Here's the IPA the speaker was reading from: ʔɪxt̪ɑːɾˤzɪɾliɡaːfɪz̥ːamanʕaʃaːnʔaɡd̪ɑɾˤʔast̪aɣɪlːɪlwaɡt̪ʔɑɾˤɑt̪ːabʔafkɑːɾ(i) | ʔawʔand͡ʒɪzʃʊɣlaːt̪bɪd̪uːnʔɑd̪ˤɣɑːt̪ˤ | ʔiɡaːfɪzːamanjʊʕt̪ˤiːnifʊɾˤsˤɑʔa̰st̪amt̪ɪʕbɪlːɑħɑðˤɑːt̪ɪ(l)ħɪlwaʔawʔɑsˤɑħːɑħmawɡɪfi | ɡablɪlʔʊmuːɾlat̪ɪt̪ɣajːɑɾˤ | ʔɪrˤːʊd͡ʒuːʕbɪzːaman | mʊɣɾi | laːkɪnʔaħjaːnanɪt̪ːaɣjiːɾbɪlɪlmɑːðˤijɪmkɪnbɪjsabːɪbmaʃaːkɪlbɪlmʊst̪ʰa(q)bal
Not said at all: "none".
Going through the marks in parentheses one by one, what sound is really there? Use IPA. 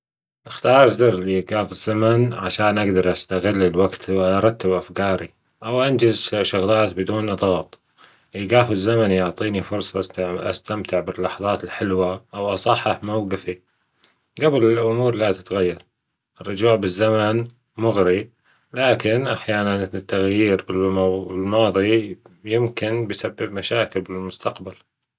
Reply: i, l, q

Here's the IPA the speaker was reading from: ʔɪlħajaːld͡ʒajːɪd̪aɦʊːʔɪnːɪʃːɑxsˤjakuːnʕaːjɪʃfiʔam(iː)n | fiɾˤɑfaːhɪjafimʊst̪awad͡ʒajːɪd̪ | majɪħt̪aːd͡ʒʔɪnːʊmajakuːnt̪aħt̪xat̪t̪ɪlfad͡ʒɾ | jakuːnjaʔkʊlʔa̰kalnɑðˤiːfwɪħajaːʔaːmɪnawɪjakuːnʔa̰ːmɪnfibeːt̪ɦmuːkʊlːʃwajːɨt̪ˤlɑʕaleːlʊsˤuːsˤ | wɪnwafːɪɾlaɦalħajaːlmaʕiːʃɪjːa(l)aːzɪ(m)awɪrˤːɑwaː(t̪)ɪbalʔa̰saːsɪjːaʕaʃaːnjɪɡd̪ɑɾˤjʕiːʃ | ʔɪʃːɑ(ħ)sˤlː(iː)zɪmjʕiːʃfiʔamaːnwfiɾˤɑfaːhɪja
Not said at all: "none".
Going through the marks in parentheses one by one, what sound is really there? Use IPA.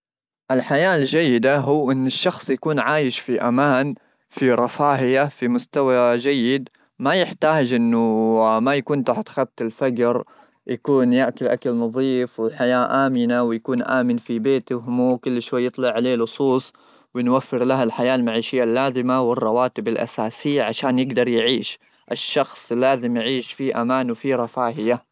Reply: aː, lː, m, t̪, x, aː

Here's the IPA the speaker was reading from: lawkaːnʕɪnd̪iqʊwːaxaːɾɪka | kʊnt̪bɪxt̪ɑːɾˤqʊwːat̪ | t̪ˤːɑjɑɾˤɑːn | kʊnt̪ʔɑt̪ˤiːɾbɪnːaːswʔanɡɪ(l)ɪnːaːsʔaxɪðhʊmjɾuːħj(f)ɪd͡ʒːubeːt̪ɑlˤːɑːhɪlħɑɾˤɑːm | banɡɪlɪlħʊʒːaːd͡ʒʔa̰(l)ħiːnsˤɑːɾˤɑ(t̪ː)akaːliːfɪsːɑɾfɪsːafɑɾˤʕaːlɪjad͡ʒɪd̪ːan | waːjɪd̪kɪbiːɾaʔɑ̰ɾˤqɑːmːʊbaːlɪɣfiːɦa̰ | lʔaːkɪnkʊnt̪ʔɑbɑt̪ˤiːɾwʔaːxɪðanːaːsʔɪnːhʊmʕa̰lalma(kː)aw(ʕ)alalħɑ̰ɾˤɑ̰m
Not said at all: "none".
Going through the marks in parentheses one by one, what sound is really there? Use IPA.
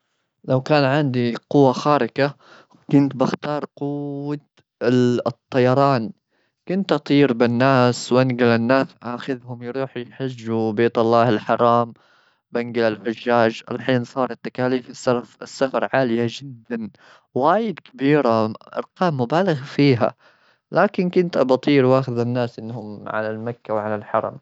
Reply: l, ħ, l, t̪ː, kː, ʕ

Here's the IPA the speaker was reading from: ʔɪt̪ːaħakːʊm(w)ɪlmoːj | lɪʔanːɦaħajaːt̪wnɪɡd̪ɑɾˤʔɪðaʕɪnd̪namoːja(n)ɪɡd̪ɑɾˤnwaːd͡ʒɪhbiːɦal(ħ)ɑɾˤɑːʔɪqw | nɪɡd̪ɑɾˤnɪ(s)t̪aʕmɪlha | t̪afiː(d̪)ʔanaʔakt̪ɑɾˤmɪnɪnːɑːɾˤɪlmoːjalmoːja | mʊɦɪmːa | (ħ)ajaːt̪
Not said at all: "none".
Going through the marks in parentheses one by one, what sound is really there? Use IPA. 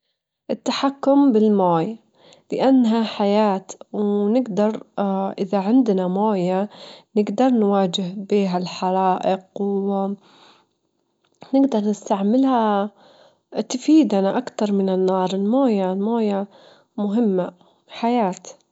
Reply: b, n, ħ, s, d̪, ħ

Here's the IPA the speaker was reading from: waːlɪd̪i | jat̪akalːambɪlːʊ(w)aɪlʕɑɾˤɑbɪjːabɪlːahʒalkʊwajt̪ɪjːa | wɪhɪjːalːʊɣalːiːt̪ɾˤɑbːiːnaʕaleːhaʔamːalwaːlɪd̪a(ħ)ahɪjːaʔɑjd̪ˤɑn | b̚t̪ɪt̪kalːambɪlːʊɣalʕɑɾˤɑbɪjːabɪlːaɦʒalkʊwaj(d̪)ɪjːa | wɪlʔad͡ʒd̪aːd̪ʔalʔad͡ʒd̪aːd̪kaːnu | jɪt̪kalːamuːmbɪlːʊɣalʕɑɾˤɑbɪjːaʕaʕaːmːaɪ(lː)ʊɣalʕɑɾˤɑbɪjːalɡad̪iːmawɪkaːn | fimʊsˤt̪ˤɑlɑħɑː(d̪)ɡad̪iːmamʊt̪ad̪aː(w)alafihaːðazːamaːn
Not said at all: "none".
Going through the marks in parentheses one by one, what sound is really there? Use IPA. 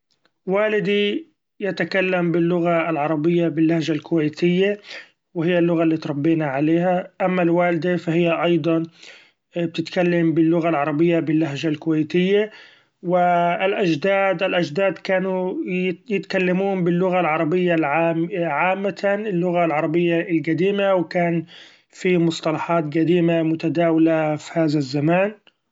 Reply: ɣ, f, t̪, lː, t̪, w

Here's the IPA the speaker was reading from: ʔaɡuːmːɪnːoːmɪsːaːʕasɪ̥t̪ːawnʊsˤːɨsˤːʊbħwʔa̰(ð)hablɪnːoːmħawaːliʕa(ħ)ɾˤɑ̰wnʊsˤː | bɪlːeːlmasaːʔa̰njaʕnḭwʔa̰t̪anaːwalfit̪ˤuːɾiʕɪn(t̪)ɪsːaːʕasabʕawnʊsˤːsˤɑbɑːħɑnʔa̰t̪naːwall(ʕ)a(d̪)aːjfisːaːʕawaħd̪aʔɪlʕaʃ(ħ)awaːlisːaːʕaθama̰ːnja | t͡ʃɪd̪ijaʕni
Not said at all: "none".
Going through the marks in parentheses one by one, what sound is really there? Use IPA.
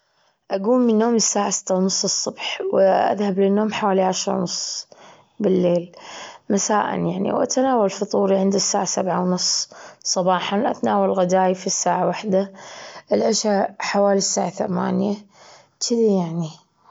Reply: ð, ʃ, d̪, ɣ, d̪, ħ

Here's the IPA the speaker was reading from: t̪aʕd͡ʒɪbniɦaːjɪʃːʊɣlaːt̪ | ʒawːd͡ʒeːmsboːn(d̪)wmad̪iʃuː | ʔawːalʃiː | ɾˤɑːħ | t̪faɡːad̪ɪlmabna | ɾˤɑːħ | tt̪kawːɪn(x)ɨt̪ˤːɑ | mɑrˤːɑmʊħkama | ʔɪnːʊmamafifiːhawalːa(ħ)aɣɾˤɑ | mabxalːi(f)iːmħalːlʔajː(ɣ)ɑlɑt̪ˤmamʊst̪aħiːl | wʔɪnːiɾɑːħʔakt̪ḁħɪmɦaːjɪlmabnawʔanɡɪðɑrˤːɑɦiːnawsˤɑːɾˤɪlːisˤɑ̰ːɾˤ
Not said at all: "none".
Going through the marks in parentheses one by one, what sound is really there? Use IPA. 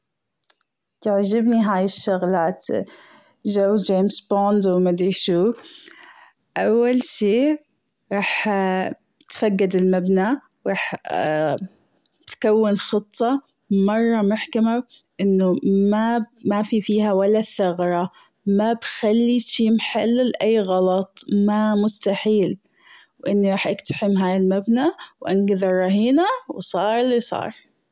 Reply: d̪, x, θ, ʃ, ɣ

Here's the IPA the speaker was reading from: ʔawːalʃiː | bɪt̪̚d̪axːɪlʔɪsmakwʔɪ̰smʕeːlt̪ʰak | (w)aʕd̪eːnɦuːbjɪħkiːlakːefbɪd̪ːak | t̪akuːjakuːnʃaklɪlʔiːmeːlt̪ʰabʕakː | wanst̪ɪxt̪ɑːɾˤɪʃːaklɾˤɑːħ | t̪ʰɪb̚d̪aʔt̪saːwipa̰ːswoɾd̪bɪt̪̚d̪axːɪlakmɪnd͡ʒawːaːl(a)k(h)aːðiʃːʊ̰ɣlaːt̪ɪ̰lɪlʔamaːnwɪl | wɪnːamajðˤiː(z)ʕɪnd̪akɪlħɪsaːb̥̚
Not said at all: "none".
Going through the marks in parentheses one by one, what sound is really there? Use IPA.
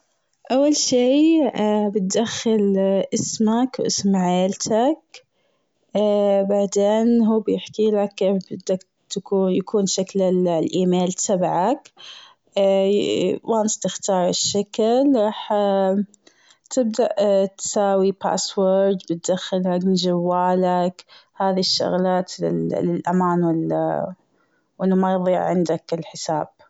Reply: b, a, h, ʕ

